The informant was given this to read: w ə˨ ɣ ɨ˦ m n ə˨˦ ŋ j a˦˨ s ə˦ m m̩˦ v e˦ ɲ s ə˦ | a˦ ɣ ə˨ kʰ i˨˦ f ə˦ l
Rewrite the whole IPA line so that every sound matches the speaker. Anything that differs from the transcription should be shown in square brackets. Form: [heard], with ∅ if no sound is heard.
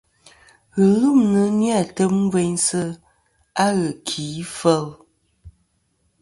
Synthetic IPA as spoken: [ɣ] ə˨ ɣ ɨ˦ m n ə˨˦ [n] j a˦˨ [t] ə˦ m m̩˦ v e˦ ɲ s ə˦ | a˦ ɣ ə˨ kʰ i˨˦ f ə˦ l